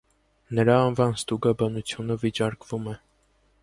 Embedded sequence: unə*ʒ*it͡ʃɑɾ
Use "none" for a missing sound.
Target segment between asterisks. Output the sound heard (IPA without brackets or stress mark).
v